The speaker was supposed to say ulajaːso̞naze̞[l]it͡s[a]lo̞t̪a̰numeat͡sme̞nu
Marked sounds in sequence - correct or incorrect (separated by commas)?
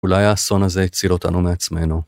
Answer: incorrect, incorrect